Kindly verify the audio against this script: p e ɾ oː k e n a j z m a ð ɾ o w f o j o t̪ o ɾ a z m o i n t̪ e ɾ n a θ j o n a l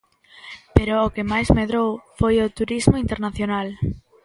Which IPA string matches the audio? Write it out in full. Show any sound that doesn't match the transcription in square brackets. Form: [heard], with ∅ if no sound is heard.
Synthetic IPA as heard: p e ɾ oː k e [m] a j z m [e] ð ɾ o w f o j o t̪ [u] ɾ [i] z m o i n t̪ e ɾ n a θ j o n a l